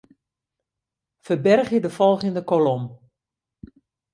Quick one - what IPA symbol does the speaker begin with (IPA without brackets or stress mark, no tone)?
f